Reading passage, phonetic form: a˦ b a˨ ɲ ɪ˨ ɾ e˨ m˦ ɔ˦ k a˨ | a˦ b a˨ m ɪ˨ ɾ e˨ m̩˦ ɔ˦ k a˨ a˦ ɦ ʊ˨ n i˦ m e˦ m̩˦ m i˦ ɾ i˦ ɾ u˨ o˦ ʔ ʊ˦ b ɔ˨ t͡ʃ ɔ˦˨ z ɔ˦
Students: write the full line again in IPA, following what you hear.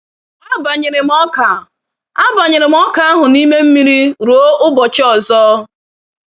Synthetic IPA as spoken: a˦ b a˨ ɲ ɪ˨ ɾ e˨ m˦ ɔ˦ k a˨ | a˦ b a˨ ɲ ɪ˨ ɾ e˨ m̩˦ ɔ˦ k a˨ a˦ ɦ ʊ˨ n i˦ m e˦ m̩˦ m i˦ ɾ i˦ ɾ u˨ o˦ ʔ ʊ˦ b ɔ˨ t͡ʃ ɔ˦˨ z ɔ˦